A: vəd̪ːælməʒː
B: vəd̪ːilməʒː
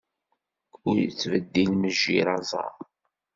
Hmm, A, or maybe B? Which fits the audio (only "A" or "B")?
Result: B